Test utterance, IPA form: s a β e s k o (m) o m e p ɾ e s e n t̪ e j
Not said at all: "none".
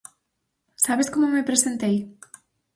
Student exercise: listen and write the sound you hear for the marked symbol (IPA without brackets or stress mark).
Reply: m